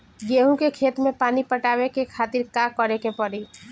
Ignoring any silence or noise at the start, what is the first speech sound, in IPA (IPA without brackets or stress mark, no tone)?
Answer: ɡ